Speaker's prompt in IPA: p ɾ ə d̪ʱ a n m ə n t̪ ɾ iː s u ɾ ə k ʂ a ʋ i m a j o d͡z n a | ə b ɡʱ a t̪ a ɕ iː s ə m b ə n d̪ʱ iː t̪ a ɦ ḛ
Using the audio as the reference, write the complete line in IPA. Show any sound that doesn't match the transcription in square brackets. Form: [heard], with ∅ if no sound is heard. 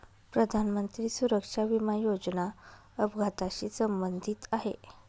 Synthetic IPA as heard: p ɾ ə d̪ʱ a n m ə n t̪ ɾ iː s u ɾ ə k ʂ a ʋ i m a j o d͡z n a | ə b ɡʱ a t̪ a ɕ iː s ə m b ə n d̪ʱ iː t̪ a ɦ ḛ